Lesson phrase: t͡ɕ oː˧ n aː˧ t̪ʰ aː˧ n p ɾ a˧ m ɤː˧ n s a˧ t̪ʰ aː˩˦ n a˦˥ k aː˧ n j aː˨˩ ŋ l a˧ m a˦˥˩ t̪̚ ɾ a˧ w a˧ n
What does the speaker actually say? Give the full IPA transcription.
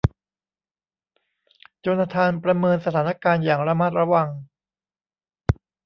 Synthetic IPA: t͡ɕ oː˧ n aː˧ t̪ʰ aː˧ n p ɾ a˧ m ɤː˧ n s a˧ t̪ʰ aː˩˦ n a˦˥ k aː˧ n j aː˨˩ ŋ ɾ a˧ m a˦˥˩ t̪̚ ɾ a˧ w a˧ ŋ